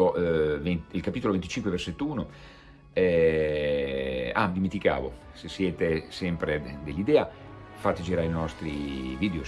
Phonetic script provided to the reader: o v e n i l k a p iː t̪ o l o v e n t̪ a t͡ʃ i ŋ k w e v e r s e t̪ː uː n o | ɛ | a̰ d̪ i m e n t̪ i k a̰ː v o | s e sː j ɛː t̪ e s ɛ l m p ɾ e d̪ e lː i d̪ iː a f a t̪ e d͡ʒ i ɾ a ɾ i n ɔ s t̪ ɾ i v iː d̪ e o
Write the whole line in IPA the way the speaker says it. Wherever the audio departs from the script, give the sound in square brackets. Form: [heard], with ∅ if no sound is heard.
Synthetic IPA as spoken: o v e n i l k a p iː t̪ o l o v e n t̪ [i] t͡ʃ i ŋ k w e v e r s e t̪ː uː n o | ɛ | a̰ d̪ i m e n t̪ i k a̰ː v o | s e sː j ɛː t̪ e s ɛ [∅] m p ɾ e d̪ e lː i d̪ [ɛː] a f a t̪ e d͡ʒ i ɾ a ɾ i n ɔ s t̪ ɾ i v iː d̪ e o